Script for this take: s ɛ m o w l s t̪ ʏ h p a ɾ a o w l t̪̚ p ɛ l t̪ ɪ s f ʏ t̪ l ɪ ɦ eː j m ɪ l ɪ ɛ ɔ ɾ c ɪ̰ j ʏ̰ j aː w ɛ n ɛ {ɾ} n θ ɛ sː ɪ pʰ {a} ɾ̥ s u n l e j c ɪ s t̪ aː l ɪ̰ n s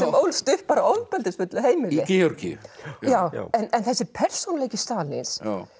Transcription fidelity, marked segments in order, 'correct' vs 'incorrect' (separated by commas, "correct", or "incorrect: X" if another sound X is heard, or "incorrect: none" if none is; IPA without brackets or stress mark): incorrect: none, incorrect: ɛ